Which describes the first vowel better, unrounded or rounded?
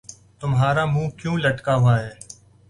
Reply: rounded